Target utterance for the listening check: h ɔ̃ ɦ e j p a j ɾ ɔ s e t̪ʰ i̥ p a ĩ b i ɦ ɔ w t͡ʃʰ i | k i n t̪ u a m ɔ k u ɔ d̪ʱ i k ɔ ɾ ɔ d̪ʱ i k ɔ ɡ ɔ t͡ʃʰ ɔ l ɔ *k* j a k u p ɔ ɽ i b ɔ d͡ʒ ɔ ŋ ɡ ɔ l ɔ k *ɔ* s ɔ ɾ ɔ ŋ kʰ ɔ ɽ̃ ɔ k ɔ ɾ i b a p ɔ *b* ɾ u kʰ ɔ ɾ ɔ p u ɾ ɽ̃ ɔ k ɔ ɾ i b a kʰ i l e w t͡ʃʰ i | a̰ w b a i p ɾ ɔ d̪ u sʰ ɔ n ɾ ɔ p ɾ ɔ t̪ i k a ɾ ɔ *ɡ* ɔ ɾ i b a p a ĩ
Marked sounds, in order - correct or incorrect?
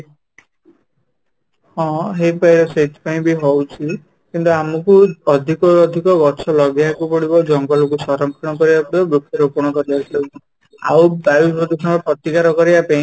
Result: incorrect: ɡ, incorrect: u, correct, incorrect: k

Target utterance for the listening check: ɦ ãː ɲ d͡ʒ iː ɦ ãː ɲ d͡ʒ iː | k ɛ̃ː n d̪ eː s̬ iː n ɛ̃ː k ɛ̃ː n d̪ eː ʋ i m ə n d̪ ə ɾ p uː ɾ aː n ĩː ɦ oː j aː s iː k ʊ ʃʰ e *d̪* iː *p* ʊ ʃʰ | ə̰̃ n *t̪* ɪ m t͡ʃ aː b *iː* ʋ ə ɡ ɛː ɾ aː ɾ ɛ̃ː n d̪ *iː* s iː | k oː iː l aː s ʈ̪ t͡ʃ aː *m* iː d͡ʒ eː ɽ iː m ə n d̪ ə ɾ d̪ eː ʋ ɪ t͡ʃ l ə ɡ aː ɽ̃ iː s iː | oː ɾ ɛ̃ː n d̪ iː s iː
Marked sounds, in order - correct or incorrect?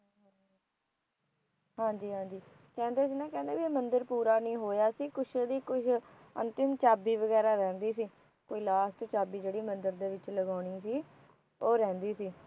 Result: correct, incorrect: k, correct, correct, correct, incorrect: b

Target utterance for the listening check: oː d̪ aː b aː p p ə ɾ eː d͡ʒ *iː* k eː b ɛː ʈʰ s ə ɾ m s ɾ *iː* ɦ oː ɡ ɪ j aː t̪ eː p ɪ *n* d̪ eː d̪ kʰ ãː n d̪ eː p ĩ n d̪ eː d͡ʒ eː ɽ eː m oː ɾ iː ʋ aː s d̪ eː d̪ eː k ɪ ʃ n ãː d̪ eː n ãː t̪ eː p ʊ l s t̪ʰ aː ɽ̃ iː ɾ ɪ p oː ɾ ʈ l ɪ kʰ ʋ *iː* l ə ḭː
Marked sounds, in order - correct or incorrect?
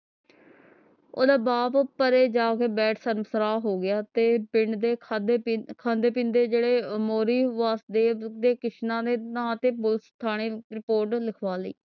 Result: incorrect: aː, incorrect: aː, incorrect: ɳ, incorrect: aː

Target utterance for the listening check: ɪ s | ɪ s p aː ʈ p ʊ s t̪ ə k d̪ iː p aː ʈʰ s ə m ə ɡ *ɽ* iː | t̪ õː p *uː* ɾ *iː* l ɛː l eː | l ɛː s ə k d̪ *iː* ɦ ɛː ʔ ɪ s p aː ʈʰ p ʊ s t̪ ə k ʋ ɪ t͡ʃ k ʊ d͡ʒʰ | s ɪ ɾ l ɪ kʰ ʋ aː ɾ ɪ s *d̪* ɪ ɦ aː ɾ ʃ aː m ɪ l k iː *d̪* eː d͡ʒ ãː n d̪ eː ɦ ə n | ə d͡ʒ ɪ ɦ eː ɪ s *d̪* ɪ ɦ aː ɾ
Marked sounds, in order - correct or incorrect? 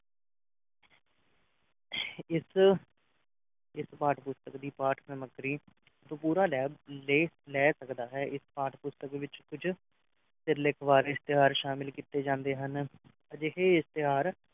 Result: incorrect: ɾ, correct, incorrect: aː, incorrect: aː, incorrect: t̪, incorrect: t̪, incorrect: t̪

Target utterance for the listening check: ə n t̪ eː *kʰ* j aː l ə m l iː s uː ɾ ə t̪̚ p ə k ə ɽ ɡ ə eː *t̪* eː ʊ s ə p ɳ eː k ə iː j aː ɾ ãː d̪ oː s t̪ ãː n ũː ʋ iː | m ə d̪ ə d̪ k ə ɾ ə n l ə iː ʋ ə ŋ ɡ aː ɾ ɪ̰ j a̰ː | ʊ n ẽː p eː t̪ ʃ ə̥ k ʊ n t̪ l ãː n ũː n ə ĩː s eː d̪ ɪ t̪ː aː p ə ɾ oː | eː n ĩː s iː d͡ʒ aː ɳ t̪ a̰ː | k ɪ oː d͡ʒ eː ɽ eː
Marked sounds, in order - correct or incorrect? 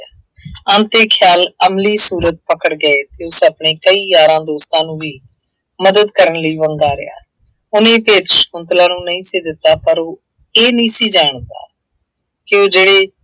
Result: correct, correct

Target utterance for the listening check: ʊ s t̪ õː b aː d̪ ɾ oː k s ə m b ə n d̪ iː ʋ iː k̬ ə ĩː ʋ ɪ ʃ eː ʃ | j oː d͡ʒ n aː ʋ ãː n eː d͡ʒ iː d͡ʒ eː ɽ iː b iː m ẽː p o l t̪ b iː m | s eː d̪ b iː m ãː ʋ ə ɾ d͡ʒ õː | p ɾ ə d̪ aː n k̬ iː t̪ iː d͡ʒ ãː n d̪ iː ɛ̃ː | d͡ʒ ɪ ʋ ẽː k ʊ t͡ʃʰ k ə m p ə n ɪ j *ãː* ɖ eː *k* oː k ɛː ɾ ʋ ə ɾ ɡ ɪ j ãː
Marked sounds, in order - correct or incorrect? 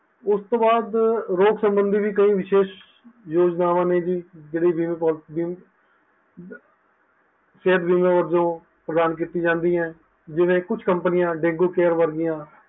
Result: correct, incorrect: ɡ

